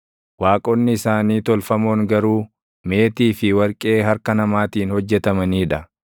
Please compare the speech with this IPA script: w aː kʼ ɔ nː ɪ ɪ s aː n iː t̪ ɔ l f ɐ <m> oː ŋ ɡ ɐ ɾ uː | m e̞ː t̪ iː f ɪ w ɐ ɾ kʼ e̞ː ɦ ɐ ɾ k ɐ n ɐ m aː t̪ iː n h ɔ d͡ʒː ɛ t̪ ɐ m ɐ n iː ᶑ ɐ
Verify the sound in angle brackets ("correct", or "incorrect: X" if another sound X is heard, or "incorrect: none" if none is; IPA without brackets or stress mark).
correct